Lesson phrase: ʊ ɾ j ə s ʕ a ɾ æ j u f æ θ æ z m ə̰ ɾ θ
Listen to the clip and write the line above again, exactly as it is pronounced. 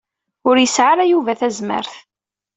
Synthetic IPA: ʊ ɾ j ə s ʕ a ɾ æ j u v æ θ æ z m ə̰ ɾ θ